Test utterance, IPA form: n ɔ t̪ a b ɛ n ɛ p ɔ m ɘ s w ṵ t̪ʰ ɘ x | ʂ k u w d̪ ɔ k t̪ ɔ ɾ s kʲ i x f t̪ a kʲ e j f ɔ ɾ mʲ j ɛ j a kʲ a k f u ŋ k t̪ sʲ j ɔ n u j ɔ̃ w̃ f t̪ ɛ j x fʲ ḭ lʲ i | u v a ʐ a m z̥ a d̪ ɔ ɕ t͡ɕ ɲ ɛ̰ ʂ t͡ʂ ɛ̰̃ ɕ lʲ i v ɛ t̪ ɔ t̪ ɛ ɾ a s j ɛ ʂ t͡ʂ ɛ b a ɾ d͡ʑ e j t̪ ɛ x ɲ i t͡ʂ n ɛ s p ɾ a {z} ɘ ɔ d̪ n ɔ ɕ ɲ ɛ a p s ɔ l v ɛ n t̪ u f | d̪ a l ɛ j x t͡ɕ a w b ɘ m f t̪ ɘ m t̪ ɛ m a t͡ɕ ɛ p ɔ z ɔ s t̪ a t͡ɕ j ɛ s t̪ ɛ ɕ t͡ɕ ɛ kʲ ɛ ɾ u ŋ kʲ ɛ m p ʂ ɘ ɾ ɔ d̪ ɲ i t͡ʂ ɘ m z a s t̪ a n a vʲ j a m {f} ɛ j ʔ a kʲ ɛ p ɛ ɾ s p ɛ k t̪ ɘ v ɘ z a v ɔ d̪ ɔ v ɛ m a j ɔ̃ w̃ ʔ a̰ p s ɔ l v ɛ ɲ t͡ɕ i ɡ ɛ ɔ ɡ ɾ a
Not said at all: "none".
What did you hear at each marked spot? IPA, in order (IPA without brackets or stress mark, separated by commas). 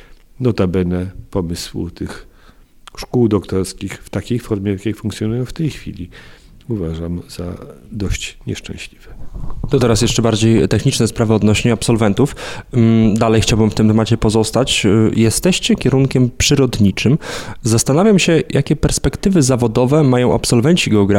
v, ɕ